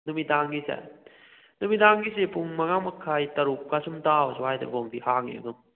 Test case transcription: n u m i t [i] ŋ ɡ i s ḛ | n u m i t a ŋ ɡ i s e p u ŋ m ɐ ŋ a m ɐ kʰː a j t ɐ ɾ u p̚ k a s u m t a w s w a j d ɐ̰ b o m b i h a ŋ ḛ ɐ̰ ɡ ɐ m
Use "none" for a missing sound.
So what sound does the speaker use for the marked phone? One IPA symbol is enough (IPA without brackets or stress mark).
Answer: a